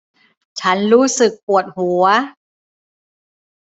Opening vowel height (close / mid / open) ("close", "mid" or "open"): open